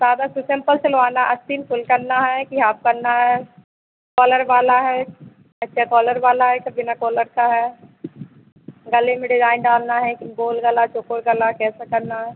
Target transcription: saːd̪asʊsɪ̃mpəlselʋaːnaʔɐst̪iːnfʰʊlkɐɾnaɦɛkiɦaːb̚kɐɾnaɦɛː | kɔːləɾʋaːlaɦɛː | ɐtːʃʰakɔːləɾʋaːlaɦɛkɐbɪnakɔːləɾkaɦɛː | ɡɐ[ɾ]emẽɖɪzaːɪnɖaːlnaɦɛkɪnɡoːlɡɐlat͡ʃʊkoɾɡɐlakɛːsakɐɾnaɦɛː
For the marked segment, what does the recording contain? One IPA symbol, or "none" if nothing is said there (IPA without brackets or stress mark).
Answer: l